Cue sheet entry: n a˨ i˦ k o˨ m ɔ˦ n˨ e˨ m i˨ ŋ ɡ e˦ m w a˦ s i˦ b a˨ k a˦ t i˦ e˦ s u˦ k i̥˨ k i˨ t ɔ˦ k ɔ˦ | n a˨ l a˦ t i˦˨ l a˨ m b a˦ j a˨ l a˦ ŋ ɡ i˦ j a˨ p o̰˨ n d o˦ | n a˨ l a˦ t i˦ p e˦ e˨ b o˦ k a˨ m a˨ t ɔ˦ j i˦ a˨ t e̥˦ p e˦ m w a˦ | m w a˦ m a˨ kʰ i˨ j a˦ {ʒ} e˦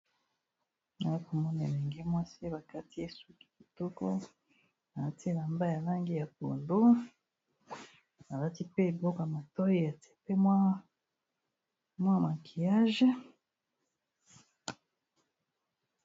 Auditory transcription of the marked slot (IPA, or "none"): ʒ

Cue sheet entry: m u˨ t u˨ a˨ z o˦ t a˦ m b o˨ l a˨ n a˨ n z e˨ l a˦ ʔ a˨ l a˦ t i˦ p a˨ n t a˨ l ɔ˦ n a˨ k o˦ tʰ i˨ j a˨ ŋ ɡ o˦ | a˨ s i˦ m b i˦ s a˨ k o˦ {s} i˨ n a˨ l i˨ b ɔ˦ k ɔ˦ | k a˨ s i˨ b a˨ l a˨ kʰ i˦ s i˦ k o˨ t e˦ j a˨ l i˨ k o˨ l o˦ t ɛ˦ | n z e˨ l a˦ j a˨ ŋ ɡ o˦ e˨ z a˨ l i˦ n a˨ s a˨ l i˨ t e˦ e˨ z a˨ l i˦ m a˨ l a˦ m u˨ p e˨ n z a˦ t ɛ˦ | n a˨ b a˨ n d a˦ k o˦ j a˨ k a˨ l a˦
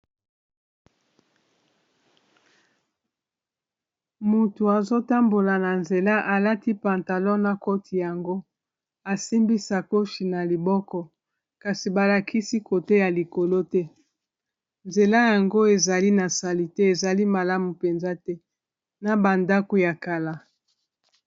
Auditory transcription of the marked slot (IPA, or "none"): ʃ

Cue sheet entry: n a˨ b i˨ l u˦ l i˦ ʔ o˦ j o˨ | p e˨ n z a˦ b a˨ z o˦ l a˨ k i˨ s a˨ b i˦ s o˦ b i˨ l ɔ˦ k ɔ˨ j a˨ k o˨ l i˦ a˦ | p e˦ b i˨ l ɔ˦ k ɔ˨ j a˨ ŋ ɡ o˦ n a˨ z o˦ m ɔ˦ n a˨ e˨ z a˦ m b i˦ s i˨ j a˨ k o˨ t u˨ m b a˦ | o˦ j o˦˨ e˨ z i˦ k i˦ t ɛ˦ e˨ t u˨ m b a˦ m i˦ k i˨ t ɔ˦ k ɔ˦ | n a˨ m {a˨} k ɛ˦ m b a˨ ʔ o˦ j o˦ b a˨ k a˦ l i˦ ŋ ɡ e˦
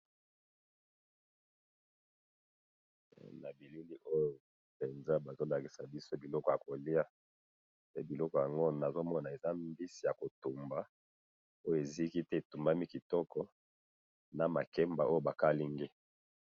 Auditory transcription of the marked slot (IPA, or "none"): a˨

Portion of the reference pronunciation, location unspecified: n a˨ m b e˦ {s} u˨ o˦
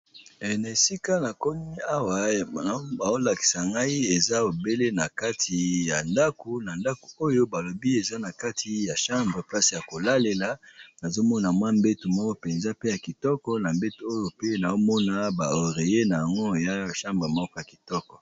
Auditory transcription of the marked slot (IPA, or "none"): t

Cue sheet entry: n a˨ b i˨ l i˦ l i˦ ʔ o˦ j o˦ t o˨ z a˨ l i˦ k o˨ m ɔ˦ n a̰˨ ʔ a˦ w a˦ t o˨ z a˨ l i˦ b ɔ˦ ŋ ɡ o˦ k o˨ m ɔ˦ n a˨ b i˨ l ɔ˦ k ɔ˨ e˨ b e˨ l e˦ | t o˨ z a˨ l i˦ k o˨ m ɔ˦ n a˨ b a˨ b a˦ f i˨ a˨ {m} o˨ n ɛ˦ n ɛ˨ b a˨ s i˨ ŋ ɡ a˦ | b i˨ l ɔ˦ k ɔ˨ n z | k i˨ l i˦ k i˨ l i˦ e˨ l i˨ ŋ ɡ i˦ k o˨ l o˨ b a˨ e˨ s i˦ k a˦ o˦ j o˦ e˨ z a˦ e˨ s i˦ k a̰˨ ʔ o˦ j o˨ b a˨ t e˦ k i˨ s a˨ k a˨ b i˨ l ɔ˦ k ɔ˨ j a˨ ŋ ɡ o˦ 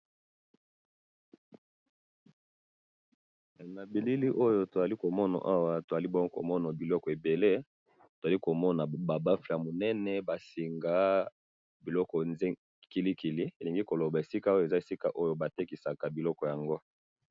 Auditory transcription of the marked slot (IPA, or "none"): m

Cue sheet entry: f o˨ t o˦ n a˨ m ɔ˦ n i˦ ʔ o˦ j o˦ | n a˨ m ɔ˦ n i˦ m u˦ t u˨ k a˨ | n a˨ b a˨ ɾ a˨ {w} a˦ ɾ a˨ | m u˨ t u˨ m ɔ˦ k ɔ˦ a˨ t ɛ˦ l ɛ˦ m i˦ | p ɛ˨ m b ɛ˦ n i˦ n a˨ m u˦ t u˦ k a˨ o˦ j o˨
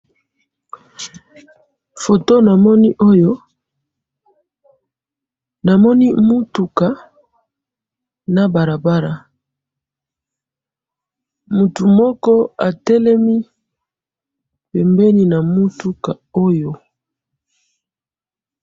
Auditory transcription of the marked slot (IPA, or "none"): b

